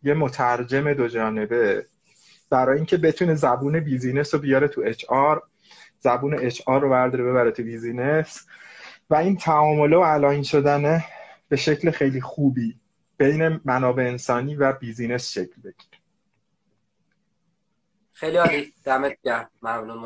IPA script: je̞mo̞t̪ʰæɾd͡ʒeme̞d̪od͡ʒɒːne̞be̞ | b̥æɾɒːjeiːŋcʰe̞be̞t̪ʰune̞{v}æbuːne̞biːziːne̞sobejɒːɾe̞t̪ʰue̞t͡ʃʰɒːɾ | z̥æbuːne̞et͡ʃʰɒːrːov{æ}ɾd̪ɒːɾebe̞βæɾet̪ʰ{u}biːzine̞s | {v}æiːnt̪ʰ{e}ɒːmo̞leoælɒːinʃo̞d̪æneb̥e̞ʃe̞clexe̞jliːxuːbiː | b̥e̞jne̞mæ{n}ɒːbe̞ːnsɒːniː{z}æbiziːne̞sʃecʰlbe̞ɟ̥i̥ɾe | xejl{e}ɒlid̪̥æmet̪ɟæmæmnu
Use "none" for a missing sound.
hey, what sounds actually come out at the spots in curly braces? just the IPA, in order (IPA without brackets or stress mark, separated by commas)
z, æ, u, v, æ, n, v, i